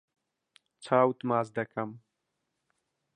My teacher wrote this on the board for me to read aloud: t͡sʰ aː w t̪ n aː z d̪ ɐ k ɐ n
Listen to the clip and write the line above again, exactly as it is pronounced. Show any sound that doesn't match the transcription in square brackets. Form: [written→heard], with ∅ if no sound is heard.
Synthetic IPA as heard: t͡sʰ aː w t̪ [n→m] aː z d̪ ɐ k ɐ [n→m]